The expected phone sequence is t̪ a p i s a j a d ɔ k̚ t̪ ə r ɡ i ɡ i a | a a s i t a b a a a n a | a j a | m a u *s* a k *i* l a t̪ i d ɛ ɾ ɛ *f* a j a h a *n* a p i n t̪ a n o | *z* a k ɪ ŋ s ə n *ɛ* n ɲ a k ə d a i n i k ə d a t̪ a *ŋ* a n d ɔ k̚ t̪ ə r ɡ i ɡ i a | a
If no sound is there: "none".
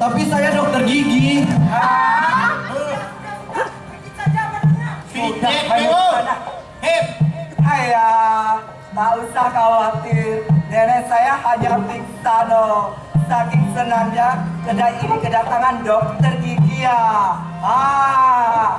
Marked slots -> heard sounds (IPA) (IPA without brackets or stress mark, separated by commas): s, a, s, ɲ, s, a, ŋ